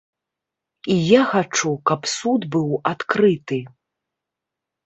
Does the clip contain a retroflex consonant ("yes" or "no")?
yes